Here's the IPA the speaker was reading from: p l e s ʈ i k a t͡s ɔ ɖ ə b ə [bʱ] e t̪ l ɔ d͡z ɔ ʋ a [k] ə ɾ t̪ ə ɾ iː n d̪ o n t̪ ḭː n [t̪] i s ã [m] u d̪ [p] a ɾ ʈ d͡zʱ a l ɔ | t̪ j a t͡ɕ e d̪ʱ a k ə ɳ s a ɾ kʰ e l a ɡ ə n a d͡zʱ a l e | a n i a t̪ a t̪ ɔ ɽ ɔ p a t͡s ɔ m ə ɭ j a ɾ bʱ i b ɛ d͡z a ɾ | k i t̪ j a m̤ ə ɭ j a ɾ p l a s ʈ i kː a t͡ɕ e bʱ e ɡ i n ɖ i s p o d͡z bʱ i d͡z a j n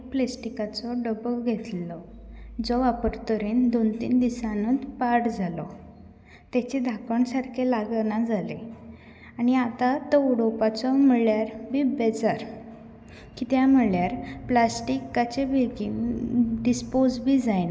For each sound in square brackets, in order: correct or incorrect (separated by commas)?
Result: incorrect, incorrect, incorrect, incorrect, correct